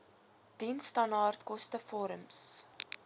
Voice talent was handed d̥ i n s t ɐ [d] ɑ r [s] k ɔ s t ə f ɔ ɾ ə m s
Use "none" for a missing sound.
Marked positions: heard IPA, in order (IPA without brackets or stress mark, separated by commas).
n, t